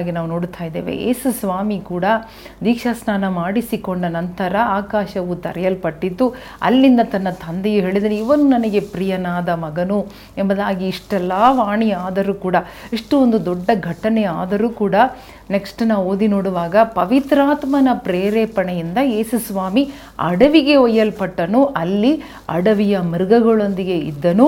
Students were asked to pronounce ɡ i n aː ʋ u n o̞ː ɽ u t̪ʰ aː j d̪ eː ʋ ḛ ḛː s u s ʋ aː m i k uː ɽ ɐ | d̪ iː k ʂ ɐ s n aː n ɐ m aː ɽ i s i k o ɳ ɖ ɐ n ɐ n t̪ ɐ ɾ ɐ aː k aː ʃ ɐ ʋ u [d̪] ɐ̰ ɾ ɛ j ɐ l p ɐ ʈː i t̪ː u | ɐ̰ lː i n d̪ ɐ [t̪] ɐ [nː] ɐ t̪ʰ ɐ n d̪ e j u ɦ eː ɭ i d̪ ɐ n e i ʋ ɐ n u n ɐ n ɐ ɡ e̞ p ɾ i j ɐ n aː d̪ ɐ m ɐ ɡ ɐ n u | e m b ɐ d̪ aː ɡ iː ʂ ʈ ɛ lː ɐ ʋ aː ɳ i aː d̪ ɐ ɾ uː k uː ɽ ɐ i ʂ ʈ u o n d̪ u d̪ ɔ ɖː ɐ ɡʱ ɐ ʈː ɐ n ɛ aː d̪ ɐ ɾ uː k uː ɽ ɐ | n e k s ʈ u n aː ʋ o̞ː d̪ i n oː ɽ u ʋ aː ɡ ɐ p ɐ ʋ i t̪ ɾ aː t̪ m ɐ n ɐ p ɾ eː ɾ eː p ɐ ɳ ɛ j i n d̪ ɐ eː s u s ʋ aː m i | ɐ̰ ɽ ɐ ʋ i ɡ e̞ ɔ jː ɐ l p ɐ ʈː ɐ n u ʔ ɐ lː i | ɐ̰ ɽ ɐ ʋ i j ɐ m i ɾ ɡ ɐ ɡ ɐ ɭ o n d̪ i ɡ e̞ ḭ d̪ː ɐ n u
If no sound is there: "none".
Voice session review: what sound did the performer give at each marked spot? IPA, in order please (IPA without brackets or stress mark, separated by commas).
t̪, t̪, nː